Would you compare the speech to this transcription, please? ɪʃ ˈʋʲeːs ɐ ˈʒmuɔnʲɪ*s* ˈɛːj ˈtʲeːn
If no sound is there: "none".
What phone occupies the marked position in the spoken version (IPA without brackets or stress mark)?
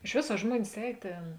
s